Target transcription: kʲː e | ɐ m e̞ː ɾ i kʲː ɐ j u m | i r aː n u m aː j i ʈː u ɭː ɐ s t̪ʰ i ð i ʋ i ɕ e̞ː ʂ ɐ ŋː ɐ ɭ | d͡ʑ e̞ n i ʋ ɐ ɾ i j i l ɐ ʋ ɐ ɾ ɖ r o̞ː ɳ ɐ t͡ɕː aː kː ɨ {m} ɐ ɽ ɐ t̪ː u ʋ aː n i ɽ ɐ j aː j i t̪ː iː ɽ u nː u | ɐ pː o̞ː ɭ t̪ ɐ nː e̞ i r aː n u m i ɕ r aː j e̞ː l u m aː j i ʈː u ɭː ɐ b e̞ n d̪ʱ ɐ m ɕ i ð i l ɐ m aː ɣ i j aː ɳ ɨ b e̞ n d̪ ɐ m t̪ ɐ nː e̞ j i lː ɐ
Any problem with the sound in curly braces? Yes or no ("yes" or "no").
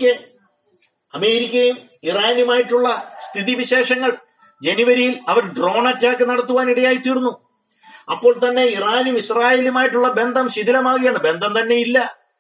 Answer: yes